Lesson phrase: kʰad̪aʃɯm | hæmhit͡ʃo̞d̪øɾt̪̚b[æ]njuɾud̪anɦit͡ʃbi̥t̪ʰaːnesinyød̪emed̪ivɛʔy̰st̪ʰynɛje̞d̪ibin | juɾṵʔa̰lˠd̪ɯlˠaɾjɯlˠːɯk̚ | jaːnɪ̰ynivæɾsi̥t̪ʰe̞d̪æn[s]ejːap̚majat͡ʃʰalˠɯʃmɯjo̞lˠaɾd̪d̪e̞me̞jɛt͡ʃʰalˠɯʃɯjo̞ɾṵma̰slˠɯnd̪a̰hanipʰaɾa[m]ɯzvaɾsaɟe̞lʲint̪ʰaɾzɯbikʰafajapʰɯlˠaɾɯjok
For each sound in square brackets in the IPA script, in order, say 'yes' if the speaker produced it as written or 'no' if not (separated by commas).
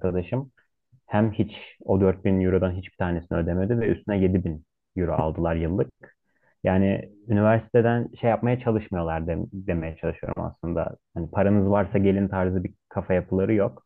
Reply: no, no, no